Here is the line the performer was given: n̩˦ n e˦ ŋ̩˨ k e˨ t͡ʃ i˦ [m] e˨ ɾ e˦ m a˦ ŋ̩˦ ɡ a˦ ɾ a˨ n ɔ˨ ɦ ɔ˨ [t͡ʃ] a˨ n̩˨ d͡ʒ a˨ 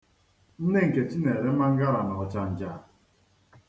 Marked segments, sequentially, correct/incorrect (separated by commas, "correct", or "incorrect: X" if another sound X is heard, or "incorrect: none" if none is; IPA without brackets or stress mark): incorrect: n, correct